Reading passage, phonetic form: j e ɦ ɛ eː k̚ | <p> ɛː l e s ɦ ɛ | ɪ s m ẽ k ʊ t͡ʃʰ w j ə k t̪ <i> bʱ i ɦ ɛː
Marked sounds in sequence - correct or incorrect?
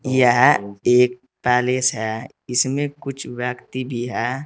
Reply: correct, correct

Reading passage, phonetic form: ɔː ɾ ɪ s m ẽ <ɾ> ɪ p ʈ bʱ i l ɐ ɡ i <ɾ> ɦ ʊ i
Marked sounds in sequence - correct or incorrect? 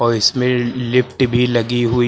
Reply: incorrect: l, incorrect: none

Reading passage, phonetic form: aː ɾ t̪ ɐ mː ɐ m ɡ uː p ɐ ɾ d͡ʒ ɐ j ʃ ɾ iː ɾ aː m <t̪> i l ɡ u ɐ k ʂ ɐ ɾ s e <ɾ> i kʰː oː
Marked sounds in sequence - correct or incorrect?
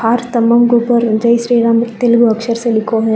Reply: correct, incorrect: l

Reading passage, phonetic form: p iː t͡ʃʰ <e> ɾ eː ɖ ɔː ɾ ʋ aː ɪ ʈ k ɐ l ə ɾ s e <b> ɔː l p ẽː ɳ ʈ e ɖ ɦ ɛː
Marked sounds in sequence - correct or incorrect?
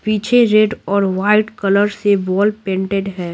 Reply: correct, correct

